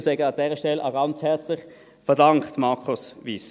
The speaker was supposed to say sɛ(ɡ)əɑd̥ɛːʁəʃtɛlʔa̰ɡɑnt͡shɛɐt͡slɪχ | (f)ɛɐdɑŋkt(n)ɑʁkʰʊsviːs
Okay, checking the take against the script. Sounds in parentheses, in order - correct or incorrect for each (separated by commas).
correct, correct, incorrect